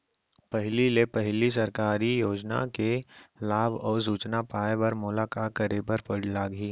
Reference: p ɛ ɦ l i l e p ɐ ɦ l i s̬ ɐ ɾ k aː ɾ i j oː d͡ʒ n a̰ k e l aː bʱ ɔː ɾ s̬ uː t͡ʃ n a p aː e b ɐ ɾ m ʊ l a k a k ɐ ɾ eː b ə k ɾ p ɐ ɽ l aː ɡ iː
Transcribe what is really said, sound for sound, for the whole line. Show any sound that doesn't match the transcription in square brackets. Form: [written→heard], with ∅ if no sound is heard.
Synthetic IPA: p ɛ ɦ l i l e p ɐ ɦ l i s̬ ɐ ɾ k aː ɾ i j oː d͡ʒ n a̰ k e l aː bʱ ɔː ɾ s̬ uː t͡ʃ n a p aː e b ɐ ɾ m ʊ l a k a k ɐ ɾ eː b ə [k→∅] ɾ p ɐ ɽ l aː ɡ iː